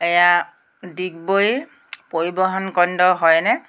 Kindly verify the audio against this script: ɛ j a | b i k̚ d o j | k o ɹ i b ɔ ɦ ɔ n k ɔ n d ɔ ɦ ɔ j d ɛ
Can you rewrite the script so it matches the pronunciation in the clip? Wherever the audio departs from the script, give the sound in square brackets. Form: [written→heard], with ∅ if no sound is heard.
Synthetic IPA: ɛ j a | [b→d] i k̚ [d→b] o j | [k→p] o ɹ i b ɔ ɦ ɔ n k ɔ n d ɔ ɦ ɔ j [d→n] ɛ